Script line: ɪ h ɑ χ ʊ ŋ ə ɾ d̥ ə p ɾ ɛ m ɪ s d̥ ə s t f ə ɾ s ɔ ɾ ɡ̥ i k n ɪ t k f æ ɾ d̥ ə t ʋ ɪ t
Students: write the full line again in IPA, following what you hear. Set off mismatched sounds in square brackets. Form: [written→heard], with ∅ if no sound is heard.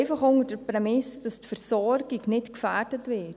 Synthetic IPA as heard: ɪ [h→f] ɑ χ ʊ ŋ ə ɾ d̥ ə p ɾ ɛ m ɪ s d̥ [ə→ɑ] s t f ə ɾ s ɔ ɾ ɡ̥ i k n ɪ t k f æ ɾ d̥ ə t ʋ ɪ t